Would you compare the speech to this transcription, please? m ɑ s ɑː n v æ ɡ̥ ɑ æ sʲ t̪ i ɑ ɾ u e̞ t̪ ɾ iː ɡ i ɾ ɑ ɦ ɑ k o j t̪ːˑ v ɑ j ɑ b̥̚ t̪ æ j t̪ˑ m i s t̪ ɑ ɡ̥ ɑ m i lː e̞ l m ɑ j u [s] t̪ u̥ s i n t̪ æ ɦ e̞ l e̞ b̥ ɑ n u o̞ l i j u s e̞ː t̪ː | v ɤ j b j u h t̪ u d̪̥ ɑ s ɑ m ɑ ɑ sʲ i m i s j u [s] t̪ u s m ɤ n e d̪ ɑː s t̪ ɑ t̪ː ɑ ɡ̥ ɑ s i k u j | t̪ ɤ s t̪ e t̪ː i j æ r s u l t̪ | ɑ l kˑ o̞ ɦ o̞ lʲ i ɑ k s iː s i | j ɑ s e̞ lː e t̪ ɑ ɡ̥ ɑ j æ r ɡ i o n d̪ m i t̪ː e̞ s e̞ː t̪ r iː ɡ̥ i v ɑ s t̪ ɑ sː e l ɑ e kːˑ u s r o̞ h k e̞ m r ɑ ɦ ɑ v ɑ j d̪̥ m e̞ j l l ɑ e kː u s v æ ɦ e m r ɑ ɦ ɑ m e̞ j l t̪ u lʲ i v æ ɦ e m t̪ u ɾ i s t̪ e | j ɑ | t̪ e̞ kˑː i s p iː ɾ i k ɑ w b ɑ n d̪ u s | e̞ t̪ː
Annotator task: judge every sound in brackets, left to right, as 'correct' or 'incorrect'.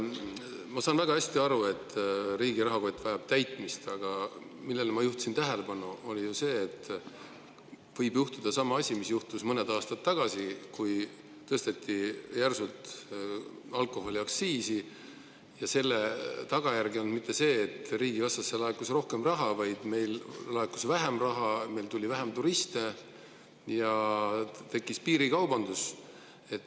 incorrect, incorrect

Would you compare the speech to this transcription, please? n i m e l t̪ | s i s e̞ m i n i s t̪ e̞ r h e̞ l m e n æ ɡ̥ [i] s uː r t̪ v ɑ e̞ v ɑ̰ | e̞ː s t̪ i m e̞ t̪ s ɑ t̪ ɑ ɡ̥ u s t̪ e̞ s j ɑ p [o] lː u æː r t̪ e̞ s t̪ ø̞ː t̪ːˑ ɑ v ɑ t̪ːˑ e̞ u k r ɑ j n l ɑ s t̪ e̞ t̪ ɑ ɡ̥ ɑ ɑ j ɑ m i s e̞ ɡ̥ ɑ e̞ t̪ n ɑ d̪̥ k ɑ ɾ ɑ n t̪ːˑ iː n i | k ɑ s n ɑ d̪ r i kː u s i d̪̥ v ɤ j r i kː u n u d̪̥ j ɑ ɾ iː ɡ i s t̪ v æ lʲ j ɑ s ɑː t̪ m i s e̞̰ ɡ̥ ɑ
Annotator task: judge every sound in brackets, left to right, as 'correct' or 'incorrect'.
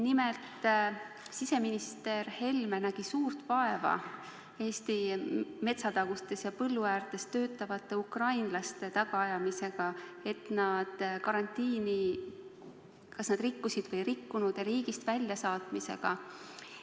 correct, incorrect

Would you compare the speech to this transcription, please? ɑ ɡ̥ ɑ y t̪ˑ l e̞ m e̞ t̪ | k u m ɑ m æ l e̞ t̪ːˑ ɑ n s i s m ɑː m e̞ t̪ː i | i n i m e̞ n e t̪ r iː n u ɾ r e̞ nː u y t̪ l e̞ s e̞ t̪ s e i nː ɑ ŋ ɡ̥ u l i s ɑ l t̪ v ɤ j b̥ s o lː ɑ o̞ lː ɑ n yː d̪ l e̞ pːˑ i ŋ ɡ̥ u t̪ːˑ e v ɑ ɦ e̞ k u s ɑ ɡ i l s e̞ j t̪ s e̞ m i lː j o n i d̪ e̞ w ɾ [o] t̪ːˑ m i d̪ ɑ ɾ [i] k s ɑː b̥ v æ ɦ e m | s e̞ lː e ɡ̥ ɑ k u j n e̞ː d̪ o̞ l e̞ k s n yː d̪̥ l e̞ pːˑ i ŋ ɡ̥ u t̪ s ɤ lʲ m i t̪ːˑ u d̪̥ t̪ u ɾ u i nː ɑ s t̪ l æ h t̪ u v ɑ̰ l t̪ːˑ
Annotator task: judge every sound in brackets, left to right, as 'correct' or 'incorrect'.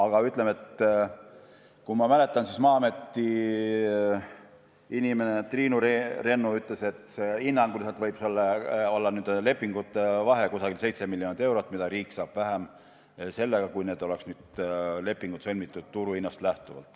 correct, incorrect

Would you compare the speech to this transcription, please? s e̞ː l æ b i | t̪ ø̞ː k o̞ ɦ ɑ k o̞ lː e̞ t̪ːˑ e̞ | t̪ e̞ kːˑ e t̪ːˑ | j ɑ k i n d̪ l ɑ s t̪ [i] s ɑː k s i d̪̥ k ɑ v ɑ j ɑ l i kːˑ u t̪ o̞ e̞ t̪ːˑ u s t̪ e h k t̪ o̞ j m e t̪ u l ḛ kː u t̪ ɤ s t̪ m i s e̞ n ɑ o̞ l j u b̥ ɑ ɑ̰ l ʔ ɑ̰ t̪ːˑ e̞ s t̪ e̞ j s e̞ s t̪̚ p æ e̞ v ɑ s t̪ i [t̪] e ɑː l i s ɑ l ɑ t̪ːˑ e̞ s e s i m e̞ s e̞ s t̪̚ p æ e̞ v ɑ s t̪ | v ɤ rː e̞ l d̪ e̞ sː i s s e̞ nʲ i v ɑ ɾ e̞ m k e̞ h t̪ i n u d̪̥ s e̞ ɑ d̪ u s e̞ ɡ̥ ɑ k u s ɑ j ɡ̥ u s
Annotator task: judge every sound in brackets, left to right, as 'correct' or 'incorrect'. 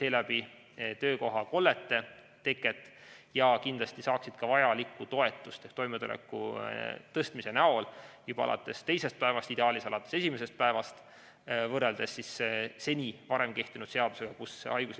correct, incorrect

